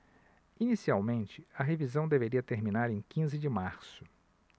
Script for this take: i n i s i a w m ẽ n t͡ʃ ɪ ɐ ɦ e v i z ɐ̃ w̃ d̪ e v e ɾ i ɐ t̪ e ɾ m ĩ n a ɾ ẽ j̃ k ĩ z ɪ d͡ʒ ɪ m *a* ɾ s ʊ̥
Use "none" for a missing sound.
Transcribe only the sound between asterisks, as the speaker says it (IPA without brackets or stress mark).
a